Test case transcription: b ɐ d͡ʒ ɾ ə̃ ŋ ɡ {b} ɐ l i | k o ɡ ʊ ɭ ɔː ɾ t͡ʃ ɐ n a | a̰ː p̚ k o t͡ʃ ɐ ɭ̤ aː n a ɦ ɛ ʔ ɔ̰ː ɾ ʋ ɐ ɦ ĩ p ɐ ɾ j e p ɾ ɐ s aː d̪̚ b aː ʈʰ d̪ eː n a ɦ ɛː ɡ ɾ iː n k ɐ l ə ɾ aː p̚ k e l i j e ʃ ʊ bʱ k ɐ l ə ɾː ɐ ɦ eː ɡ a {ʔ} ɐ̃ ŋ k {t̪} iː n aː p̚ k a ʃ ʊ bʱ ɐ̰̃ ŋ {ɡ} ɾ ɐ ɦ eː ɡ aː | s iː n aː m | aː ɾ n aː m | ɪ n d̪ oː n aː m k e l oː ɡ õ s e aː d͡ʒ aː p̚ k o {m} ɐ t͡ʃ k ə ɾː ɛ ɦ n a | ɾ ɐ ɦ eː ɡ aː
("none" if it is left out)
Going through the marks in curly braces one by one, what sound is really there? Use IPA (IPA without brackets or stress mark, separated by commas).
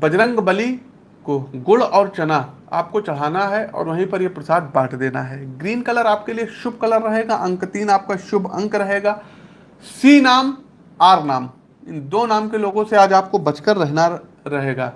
b, ʔ, t̪, k, b